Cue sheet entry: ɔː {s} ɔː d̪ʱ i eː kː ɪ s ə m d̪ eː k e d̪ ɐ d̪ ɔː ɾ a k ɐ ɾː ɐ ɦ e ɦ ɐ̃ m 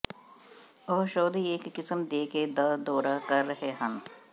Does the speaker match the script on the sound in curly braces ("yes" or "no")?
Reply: no